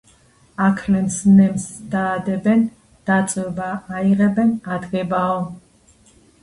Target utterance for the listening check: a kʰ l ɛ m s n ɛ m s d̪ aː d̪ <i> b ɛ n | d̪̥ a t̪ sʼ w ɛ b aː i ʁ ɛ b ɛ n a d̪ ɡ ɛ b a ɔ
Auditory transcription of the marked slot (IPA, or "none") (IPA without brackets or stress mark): ɛ